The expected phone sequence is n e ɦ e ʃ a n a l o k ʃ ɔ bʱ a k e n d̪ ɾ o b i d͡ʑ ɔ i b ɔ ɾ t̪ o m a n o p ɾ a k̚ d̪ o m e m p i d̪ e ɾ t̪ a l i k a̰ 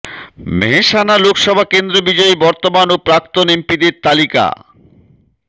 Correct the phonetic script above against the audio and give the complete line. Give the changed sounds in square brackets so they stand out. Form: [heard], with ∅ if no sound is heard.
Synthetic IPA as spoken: [m] e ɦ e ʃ a n a l o k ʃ ɔ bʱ a k e n d̪ ɾ o b i d͡ʑ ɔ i b ɔ ɾ t̪ o m a n o p ɾ a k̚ [t̪] o [n] e m p i d̪ e ɾ t̪ a l i k a̰